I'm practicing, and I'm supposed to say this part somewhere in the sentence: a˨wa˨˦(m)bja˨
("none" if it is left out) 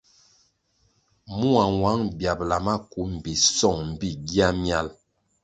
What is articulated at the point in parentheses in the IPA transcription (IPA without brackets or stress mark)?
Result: ŋ